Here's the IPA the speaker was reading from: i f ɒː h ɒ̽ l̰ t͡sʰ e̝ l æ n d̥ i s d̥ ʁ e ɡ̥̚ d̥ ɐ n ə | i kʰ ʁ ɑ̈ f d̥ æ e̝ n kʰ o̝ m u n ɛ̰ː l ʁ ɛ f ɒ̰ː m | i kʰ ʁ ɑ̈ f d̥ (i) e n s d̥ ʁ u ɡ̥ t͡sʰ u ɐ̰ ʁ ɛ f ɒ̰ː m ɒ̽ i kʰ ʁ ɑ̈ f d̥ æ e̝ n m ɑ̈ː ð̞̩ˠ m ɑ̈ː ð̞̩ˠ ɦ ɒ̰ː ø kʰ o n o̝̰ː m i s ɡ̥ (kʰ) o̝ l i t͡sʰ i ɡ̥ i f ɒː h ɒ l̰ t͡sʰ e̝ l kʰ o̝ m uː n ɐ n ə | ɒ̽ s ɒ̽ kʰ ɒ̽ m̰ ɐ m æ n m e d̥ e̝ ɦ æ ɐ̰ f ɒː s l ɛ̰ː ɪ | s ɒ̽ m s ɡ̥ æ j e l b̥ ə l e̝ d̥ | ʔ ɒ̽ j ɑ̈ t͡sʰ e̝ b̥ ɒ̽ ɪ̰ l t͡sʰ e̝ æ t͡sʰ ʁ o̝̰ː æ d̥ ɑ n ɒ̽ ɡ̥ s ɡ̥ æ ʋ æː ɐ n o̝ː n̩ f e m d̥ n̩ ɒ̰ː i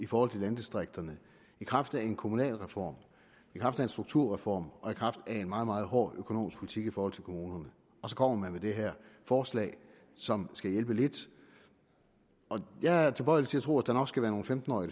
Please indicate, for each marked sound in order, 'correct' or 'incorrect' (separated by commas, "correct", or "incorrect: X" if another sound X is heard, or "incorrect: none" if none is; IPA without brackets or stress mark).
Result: incorrect: æ, incorrect: pʰ